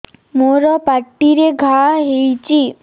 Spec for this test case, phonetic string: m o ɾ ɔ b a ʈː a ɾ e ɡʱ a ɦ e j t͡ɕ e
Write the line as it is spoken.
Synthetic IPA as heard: m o ɾ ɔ p a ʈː i ɾ e ɡʱ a ɦ e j t͡ɕ i